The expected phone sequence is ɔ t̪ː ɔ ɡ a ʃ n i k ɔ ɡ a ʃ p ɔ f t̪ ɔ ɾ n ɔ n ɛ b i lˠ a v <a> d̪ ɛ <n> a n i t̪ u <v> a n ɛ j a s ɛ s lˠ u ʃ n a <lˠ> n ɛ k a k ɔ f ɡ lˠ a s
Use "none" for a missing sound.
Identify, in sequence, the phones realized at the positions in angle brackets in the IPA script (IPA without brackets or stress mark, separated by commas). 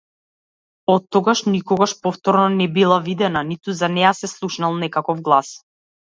i, n, z, lˠ